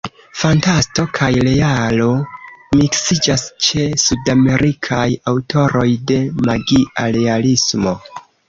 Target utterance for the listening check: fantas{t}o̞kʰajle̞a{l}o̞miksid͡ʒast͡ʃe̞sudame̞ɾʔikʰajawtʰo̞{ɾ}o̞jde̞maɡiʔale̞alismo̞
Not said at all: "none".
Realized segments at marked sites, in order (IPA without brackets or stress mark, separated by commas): t, l, ɾ